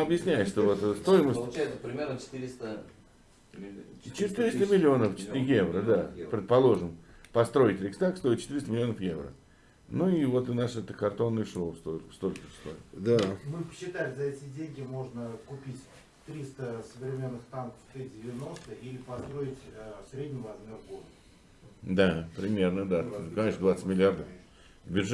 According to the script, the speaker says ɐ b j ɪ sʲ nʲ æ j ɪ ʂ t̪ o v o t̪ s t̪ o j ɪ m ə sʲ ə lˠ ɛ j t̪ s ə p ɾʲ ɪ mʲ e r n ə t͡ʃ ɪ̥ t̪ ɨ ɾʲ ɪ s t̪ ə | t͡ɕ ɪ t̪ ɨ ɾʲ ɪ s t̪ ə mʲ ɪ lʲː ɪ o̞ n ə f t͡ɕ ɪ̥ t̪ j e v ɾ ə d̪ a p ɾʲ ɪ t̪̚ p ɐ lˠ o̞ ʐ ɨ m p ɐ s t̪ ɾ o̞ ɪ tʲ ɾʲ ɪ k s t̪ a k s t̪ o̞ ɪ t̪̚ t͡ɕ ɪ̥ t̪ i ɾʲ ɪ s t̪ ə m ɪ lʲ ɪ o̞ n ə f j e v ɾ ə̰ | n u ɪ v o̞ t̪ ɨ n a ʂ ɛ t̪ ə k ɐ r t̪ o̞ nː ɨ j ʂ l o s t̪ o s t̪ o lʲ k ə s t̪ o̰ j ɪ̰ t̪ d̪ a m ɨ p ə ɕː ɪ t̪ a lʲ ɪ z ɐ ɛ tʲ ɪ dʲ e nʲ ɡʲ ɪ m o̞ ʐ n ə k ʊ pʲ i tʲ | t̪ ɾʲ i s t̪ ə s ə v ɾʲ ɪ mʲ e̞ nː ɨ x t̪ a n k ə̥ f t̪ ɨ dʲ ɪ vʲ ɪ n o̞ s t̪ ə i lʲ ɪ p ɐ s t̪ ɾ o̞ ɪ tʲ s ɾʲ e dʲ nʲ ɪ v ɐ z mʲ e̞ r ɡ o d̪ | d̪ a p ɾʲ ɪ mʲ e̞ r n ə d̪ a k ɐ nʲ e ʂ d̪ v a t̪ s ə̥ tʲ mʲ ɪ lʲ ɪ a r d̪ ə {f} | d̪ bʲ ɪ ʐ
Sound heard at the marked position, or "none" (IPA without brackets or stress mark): f